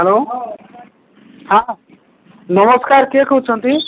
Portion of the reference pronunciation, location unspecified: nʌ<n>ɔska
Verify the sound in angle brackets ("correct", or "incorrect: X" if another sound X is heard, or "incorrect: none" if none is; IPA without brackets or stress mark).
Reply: incorrect: m